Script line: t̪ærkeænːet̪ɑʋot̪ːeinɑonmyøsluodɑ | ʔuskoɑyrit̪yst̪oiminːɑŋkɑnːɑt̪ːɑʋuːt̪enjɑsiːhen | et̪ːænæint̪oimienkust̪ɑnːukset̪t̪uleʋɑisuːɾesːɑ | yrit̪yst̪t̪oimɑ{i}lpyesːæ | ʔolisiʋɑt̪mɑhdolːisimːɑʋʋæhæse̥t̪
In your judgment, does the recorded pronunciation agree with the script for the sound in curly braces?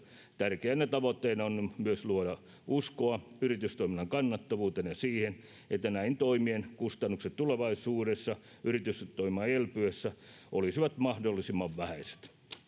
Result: no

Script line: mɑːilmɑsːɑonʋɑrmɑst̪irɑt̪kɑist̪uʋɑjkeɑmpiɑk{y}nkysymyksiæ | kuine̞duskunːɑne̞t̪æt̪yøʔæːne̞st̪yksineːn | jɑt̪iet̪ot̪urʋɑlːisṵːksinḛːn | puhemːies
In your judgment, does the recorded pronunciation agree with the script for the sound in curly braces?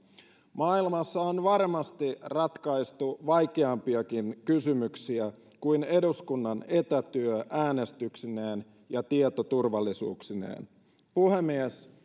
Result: no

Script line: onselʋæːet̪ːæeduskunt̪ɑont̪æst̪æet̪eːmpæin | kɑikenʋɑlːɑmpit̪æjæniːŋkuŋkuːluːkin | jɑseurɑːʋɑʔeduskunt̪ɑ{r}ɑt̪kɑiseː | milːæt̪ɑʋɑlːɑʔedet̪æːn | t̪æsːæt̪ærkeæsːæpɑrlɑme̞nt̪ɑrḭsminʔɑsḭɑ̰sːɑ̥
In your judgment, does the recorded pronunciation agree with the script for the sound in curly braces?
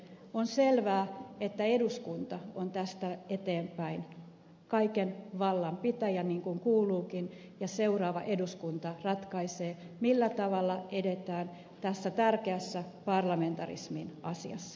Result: yes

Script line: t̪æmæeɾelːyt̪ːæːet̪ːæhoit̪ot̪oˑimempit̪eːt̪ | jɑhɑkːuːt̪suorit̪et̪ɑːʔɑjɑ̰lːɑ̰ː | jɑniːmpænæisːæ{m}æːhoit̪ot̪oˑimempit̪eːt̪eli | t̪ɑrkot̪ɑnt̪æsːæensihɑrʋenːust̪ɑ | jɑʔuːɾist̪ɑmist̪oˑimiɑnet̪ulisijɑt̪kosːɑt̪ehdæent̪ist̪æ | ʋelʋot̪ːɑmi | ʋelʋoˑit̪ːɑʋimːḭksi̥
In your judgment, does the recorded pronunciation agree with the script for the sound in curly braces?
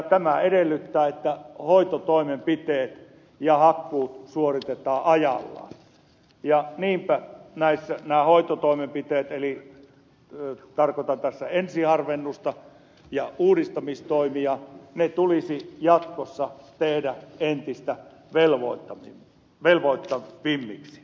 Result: no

